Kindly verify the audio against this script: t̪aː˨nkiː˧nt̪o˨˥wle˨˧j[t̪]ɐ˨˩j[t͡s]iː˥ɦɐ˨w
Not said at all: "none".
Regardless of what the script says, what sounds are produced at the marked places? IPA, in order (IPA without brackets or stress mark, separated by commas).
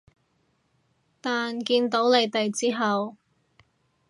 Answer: t̪, t͡s